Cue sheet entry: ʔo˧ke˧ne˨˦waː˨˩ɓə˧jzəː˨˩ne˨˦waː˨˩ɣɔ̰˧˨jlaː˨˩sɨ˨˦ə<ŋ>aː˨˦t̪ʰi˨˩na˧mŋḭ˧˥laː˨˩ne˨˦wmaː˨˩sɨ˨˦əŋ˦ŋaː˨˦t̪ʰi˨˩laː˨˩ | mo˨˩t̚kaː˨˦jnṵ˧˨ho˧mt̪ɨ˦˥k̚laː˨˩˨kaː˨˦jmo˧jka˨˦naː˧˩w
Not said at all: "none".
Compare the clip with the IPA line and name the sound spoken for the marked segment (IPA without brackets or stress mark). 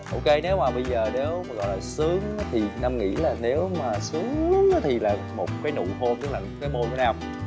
ŋ